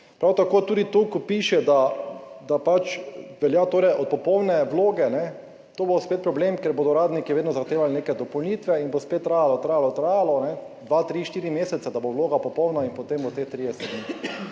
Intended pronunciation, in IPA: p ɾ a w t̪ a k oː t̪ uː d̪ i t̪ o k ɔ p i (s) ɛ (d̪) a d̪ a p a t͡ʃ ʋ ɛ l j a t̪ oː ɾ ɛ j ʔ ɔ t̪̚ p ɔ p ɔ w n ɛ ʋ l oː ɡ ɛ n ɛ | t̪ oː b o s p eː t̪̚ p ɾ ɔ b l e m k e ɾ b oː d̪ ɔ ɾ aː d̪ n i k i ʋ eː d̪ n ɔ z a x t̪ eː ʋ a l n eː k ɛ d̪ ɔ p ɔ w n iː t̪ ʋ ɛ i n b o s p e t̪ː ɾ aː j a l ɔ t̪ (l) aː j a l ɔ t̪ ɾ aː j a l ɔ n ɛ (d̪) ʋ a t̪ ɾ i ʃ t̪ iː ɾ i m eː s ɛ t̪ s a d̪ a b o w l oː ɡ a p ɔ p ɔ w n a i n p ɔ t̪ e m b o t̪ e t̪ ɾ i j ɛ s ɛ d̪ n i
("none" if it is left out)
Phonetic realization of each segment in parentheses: ʃ, d̪, ɾ, d̪

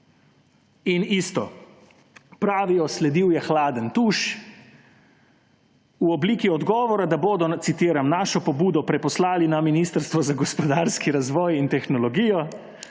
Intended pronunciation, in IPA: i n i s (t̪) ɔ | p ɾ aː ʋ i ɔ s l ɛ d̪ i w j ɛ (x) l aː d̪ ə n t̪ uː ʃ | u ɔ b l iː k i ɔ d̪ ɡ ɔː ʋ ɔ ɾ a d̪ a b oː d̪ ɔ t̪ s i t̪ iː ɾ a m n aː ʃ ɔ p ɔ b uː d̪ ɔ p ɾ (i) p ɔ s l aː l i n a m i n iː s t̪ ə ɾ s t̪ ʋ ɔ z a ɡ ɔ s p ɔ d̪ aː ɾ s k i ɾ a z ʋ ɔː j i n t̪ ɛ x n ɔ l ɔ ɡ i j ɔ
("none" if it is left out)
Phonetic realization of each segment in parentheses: t̪, x, ɛ

